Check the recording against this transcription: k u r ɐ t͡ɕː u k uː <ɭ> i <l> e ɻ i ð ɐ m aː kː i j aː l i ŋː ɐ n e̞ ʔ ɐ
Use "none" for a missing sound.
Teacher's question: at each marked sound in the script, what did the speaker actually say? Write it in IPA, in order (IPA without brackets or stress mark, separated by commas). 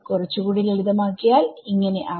ɽ, l